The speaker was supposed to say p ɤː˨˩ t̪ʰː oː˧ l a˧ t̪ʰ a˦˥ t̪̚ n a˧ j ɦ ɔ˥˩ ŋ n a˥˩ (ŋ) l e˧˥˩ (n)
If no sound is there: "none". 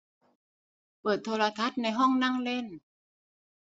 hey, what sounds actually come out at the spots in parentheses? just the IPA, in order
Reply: ŋ, n

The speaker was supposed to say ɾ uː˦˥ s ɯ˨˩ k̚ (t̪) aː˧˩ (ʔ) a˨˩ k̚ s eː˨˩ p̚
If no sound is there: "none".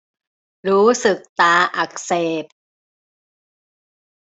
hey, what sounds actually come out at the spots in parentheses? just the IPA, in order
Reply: t̪, ʔ

